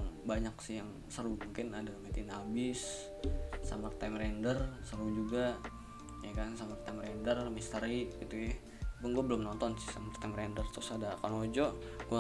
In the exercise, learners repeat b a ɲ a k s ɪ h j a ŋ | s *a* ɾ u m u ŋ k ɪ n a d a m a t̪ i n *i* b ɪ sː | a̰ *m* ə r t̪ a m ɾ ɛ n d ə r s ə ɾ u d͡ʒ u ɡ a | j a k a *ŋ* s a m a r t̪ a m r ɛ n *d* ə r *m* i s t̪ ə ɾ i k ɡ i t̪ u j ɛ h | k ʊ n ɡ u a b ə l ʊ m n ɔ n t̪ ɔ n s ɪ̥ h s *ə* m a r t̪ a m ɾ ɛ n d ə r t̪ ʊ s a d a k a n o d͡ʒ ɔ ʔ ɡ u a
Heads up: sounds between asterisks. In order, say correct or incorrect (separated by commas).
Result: incorrect, incorrect, correct, incorrect, correct, correct, incorrect